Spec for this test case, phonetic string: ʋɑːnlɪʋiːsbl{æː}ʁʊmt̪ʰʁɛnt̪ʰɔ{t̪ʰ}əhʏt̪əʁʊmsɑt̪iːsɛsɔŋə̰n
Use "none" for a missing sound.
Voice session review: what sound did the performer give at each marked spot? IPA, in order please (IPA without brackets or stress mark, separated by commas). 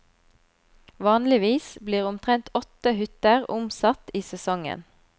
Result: iː, t̪